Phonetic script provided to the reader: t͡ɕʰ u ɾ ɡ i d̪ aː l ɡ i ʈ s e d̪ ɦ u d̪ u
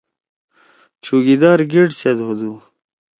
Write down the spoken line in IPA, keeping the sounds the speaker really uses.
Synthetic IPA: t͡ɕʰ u ɡ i d̪ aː ɾ ɡ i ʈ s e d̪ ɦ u d̪ u